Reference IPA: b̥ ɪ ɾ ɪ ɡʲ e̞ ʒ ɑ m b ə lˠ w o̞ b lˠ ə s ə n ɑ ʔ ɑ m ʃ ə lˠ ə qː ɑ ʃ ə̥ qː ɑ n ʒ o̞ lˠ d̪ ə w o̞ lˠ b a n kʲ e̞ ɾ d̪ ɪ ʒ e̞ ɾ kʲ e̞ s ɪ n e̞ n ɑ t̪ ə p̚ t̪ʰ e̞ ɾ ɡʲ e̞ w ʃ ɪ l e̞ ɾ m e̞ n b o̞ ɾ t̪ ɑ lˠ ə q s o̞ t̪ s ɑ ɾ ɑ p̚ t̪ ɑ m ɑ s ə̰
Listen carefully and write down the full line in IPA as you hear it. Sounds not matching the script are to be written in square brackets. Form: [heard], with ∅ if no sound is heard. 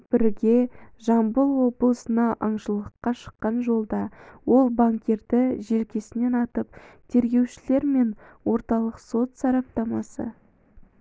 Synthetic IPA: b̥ ɪ ɾ ɪ ɡʲ e̞ ʒ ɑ m b ə lˠ w o̞ b lˠ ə s ə n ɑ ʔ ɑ [ɴ] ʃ ə lˠ ə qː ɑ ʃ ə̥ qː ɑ n ʒ o̞ lˠ d̪ [ɑ] w o̞ lˠ b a [ŋ] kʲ e̞ ɾ d̪ ɪ ʒ e̞ [l] kʲ e̞ s ɪ n e̞ n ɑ t̪ ə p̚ t̪ʰ e̞ ɾ ɡʲ e̞ w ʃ ɪ l e̞ ɾ m e̞ n [w] o̞ ɾ t̪ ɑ lˠ ə q s o̞ t̪ s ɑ ɾ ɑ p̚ t̪ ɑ m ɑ s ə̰